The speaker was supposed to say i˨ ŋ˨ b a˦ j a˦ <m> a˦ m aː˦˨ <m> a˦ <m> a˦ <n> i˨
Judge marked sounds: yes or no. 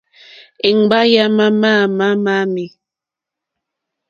yes, yes, yes, no

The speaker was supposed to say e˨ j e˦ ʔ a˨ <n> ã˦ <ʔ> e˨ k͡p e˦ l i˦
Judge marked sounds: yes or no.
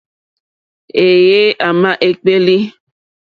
no, yes

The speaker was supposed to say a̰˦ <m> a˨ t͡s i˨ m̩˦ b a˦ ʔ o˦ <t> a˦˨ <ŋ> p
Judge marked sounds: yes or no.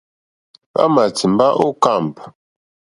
yes, no, no

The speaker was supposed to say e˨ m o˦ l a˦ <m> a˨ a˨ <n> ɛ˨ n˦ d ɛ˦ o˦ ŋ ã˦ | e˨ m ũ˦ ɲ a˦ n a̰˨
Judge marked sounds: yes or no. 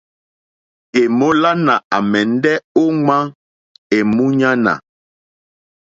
no, no

